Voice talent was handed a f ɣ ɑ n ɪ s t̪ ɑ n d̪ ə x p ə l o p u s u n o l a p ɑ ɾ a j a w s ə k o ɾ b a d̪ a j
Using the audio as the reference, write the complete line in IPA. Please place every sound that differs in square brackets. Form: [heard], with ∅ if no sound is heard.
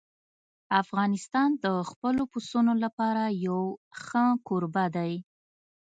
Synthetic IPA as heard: a f ɣ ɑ n ɪ s t̪ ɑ n d̪ ə x p ə l o p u s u n o l a p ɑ ɾ a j a w [x] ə k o ɾ b a d̪ a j